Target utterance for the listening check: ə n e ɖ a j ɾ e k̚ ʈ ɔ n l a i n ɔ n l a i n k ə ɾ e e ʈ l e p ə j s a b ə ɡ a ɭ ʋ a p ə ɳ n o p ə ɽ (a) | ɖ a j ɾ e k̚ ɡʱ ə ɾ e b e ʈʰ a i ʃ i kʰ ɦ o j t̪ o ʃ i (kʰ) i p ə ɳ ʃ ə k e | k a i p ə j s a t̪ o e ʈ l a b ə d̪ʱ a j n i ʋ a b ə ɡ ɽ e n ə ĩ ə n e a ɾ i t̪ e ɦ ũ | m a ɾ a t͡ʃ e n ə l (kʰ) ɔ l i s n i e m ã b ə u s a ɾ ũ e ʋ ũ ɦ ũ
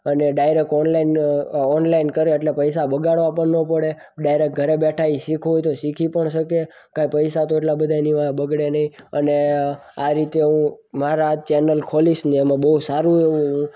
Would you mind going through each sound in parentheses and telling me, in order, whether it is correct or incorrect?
incorrect: e, correct, correct

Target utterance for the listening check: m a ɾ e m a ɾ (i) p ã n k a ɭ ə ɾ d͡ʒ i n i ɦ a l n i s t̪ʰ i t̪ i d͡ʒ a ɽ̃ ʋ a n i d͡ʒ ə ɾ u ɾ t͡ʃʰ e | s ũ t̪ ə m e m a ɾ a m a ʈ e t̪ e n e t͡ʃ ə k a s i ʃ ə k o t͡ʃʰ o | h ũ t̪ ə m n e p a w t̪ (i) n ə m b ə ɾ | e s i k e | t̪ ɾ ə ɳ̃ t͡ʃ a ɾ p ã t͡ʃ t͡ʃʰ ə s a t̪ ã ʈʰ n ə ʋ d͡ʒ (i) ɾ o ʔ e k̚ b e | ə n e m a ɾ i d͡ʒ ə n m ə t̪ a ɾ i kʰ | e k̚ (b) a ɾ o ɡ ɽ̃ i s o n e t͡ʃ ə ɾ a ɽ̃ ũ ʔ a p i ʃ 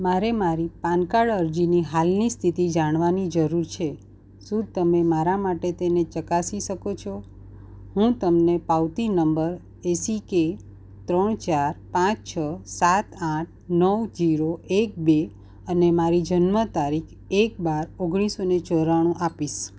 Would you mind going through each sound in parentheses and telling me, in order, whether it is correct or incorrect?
correct, correct, correct, correct

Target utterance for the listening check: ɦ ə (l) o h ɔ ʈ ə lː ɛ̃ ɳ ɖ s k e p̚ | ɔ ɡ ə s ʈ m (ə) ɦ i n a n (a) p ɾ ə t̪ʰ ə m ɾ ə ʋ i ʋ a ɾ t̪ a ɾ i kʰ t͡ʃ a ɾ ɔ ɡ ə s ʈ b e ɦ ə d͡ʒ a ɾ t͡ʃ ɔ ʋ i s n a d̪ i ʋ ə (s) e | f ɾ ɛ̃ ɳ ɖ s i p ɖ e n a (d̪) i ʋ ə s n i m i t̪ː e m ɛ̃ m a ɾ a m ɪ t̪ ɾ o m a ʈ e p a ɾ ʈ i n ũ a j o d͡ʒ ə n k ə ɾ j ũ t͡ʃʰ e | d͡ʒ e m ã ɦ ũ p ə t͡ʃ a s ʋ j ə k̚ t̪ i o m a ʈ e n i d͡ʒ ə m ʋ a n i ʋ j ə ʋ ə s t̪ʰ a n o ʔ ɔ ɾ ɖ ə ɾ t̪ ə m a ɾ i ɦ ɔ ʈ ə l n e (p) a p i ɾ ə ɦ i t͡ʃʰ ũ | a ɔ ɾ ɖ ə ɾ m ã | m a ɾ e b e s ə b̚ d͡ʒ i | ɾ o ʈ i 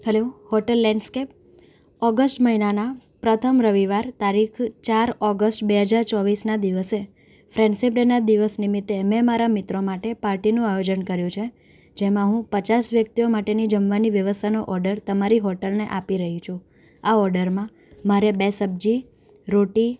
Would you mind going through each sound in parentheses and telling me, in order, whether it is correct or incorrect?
correct, correct, correct, correct, correct, incorrect: ʔ

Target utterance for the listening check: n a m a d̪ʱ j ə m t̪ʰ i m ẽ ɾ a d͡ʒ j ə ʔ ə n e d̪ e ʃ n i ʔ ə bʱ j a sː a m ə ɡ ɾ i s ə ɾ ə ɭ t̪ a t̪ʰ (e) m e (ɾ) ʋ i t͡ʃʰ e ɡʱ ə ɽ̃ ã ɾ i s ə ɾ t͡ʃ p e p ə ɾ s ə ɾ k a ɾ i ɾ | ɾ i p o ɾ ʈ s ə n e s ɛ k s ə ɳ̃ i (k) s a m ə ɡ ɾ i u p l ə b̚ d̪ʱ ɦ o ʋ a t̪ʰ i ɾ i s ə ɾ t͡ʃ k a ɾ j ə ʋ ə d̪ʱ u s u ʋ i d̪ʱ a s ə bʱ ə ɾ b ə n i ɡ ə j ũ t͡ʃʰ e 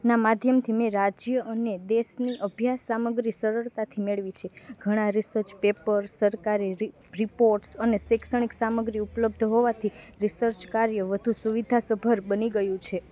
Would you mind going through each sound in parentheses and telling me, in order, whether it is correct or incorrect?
incorrect: i, incorrect: ɭ, correct

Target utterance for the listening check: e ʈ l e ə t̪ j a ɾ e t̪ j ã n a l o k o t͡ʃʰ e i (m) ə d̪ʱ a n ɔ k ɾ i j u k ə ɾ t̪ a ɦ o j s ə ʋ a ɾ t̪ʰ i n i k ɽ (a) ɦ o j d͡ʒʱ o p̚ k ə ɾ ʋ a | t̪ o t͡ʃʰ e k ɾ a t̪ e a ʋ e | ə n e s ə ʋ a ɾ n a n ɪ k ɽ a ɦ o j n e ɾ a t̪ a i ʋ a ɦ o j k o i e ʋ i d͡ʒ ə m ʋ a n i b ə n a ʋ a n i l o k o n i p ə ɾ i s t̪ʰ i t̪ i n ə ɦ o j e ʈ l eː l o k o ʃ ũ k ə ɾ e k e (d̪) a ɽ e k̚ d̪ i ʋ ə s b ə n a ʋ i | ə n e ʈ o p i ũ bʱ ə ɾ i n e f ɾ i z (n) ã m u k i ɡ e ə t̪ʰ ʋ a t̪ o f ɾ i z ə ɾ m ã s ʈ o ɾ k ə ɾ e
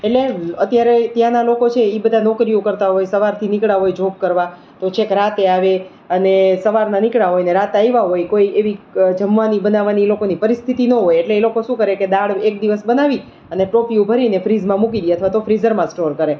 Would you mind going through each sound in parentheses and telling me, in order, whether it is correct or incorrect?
incorrect: b, correct, correct, incorrect: m

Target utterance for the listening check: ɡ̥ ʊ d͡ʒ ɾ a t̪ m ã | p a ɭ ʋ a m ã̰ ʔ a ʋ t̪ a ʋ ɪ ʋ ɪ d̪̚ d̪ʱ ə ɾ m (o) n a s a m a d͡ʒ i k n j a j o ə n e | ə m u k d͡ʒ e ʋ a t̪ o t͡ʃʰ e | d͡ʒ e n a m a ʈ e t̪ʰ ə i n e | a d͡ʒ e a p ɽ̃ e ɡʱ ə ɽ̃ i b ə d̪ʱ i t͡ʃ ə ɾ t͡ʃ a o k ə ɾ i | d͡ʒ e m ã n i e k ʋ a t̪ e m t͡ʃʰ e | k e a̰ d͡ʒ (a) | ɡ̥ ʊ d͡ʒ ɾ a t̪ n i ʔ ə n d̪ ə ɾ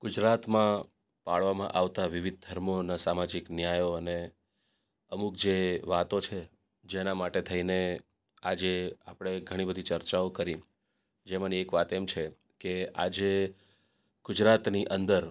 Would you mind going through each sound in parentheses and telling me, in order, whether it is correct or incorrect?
correct, incorrect: e

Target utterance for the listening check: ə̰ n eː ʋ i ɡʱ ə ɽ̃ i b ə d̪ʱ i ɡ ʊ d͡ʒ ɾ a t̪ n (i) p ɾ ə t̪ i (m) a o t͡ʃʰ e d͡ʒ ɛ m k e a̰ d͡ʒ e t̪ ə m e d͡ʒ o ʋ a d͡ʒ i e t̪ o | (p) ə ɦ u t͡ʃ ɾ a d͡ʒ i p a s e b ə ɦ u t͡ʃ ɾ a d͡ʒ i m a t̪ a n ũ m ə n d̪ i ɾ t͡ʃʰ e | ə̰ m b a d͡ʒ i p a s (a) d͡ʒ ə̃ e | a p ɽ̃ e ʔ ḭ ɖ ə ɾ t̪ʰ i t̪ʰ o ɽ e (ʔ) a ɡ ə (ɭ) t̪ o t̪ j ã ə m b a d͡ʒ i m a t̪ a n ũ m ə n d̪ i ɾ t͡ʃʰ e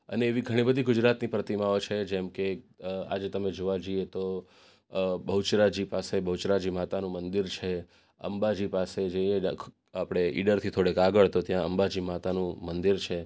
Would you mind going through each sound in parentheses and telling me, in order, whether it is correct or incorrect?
correct, correct, incorrect: b, incorrect: e, incorrect: k, correct

